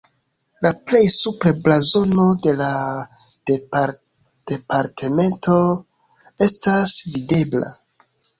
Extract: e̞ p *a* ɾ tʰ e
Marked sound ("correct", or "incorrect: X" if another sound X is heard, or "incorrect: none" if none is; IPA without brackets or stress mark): correct